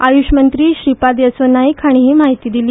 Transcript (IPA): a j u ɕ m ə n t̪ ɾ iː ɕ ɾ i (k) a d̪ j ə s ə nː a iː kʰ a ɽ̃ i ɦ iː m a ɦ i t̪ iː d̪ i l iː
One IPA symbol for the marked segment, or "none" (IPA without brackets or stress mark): p